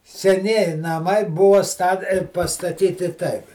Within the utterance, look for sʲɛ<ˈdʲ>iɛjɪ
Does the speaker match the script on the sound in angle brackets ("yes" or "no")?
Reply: no